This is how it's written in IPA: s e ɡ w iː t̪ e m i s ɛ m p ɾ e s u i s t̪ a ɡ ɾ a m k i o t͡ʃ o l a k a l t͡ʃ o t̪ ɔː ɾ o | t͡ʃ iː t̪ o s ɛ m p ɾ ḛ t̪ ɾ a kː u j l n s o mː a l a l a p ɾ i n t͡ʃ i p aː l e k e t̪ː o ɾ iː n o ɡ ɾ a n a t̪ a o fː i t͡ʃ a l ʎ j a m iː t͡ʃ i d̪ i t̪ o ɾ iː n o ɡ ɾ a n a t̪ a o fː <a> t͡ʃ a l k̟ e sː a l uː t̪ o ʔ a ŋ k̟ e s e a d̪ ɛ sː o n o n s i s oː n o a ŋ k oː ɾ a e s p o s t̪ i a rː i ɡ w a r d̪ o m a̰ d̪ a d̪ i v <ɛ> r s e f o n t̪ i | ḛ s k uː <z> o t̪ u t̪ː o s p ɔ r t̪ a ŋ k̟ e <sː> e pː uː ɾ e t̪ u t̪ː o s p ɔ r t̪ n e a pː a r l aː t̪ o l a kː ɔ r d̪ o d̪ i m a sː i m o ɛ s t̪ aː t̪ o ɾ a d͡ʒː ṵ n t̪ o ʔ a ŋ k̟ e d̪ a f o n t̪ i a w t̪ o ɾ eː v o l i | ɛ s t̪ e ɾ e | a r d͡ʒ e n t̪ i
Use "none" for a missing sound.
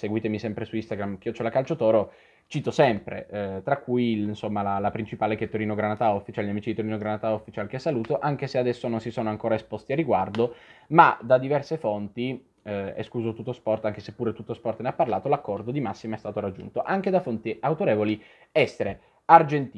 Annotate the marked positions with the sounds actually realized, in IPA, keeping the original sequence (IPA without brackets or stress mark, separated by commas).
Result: i, ɛ, z, s